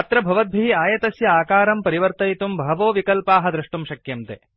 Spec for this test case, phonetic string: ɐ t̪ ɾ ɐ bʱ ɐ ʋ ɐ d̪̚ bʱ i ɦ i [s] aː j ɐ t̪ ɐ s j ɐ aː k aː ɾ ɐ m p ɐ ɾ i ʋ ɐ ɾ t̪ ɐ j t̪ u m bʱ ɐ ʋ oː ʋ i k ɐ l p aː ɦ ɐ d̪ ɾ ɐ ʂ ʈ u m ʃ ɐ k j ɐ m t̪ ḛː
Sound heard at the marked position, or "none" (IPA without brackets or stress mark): none